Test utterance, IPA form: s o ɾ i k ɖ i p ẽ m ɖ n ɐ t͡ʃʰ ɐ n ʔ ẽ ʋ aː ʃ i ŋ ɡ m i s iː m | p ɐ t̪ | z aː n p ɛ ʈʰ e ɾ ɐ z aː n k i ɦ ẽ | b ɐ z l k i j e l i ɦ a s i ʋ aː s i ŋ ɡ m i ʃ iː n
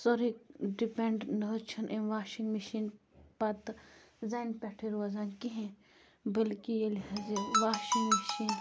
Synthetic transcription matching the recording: s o ɾ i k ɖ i p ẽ ɳ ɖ n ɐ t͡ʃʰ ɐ n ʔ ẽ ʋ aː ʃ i ŋ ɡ m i ʃ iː n | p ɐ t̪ | z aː n p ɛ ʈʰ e ɾ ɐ z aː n k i ɦ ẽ | b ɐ l k i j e l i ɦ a z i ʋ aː ʃ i ŋ ɡ m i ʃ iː n